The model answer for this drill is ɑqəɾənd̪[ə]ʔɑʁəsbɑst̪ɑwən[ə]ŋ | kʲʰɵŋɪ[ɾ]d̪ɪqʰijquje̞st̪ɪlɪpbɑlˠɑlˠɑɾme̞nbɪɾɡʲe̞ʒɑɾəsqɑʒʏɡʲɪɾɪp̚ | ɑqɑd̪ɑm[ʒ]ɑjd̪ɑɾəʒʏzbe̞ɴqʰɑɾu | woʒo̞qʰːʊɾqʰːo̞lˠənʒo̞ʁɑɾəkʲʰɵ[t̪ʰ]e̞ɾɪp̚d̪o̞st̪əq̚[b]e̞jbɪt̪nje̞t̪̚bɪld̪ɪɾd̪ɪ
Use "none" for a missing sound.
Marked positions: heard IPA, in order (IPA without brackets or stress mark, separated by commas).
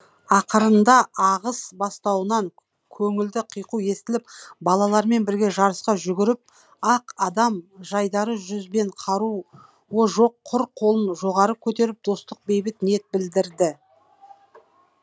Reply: ɑ, ɑ, l, ʒ, t̪, b